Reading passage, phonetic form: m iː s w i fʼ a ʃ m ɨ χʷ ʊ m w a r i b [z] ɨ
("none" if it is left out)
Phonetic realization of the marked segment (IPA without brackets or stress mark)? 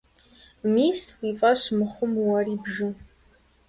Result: ʒ